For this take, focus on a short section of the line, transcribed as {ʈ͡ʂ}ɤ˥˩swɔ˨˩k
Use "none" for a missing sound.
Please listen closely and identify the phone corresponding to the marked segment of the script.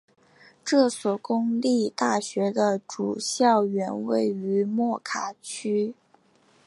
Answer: ʈ͡ʂ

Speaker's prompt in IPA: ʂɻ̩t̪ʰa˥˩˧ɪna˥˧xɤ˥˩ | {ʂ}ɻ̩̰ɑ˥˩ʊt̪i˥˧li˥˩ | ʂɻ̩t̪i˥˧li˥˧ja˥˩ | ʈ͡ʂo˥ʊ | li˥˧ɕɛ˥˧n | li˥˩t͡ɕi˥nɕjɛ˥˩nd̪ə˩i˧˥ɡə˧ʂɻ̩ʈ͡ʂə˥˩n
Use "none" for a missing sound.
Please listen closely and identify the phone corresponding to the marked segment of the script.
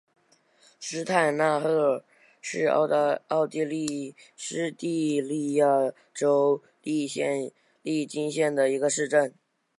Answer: ʂ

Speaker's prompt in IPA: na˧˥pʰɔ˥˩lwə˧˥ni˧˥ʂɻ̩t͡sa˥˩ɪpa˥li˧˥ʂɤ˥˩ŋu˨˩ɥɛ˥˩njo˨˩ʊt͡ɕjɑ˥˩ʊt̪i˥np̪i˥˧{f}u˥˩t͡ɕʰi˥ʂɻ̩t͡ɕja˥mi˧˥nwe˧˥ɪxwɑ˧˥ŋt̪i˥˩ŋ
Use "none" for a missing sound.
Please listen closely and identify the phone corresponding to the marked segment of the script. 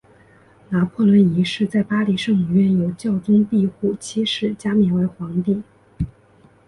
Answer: x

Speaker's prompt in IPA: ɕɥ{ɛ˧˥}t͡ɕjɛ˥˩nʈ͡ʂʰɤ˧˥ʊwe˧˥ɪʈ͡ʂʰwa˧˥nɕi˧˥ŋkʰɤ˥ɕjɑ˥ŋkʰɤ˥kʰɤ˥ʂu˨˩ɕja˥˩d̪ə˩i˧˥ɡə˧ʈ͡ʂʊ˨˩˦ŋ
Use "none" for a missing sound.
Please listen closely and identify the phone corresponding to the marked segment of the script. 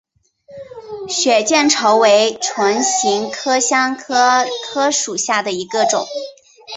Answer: ɛ˨˩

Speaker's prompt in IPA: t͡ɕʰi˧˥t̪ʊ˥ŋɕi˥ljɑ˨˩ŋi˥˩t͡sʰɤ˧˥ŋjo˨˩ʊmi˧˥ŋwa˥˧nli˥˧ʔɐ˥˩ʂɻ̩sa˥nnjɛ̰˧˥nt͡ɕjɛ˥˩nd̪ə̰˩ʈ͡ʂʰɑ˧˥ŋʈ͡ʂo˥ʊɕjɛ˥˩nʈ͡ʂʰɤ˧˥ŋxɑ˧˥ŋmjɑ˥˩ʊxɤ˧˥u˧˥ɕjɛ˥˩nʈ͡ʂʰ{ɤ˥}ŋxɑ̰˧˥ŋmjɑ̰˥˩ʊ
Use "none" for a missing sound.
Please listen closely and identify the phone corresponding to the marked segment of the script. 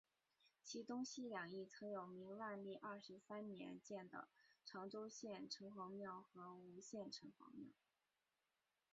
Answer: ɤ˧˥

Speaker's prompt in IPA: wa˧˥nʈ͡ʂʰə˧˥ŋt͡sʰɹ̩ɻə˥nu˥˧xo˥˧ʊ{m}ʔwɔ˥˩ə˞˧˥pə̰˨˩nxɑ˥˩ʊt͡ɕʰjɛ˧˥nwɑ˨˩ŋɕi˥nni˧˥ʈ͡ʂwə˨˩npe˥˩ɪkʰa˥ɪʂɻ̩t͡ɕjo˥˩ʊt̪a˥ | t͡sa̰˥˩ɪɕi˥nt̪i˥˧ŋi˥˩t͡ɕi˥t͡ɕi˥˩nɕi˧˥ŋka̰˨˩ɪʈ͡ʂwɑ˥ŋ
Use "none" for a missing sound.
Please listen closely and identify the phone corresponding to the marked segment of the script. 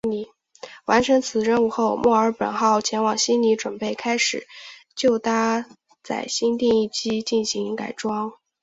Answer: m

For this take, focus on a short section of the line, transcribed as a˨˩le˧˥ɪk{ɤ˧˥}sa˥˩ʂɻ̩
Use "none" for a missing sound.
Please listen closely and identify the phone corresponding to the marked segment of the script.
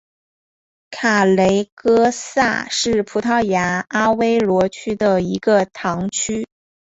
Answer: ɤ˥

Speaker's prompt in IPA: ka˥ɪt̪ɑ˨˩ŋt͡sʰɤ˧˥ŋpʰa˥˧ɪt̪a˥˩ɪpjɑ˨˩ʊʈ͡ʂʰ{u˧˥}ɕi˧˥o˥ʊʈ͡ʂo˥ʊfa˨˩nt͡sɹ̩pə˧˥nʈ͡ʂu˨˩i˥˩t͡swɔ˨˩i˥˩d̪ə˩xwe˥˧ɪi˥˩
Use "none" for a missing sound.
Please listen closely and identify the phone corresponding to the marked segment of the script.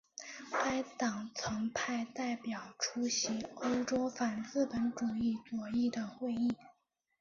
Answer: u˥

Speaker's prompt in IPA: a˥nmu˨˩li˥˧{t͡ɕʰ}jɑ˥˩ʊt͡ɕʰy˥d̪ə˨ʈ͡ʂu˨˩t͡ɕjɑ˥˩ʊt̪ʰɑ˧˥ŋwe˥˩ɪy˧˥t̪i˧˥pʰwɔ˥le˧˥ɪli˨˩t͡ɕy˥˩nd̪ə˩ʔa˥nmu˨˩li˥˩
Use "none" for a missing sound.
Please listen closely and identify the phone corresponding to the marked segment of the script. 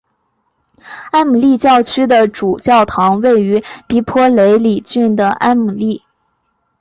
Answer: t͡ɕ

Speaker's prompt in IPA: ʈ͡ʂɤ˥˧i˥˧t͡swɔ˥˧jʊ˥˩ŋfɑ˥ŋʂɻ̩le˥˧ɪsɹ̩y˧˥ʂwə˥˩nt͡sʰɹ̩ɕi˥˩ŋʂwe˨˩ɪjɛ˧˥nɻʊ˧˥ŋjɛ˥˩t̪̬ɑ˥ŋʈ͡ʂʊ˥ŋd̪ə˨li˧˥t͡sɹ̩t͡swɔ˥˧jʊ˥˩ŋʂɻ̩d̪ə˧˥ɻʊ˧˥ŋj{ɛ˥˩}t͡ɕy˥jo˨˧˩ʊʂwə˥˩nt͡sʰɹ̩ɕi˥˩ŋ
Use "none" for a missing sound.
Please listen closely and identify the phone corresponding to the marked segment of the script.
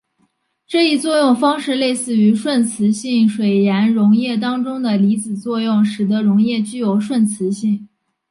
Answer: ɛ˥˩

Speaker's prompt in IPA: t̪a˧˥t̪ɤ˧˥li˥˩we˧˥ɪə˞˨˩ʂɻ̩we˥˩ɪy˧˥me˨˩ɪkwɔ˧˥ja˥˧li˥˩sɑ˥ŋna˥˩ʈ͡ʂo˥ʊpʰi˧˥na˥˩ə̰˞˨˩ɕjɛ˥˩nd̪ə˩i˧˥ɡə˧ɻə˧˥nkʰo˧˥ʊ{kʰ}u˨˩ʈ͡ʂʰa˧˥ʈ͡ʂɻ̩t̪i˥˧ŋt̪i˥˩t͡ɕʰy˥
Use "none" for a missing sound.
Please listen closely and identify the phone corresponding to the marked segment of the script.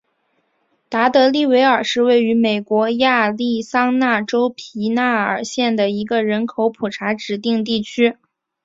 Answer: pʰ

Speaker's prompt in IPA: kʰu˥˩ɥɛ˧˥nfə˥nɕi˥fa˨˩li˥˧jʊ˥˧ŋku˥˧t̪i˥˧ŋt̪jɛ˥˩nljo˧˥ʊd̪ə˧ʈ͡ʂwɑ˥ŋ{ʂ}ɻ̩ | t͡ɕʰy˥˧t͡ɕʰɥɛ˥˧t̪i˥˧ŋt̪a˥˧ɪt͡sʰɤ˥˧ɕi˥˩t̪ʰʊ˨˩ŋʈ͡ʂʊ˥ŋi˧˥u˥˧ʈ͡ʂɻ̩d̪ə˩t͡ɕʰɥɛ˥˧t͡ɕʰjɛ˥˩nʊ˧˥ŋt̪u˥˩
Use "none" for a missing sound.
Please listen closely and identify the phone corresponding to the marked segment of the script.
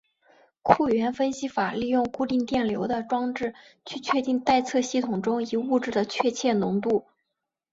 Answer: ʈ͡ʂ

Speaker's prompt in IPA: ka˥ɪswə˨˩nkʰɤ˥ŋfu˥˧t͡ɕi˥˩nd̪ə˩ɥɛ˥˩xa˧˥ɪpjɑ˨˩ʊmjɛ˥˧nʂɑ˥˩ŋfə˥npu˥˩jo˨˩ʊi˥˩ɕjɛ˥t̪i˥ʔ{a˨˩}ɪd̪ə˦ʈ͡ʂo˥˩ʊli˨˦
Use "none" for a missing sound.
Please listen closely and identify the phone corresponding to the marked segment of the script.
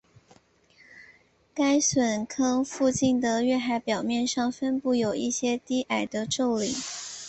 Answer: a˨˩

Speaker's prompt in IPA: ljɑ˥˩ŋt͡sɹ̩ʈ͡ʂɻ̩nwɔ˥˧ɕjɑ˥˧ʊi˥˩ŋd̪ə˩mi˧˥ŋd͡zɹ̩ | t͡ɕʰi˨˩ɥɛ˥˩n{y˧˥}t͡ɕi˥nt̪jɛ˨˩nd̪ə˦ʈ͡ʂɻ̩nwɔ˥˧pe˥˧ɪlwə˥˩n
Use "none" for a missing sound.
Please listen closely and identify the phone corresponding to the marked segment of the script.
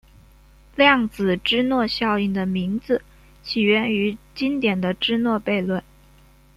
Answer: y˧˥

